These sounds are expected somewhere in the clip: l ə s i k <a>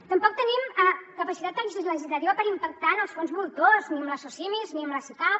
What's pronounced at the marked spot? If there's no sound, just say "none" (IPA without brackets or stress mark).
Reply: a